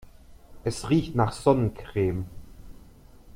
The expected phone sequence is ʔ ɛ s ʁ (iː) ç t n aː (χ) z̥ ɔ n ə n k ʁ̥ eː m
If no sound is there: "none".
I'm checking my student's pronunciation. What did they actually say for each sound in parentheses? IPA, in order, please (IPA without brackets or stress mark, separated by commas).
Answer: iː, χ